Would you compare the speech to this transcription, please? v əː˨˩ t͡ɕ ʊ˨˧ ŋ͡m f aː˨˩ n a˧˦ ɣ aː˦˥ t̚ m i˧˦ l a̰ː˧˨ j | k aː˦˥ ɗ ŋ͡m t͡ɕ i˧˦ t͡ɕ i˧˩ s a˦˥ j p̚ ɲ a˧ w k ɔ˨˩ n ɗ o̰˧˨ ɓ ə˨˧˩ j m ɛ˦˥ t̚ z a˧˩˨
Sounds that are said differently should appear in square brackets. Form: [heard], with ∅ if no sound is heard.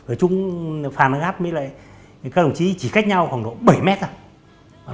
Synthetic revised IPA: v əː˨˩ t͡ɕ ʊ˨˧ ŋ͡m f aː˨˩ n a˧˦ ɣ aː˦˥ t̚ m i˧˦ l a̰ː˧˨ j | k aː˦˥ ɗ ŋ͡m t͡ɕ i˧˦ t͡ɕ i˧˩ [x] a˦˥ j [k̚] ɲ a˧ w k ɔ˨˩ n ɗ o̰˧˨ ɓ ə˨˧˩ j m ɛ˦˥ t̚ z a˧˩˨